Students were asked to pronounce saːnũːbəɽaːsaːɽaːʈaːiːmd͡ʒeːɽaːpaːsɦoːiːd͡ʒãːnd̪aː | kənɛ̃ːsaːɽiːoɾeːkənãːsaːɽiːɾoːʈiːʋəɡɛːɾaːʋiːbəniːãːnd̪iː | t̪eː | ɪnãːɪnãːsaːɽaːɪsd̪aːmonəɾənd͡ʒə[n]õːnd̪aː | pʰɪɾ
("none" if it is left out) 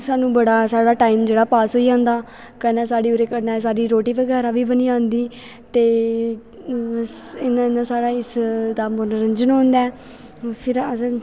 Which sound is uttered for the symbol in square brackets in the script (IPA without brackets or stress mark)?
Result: n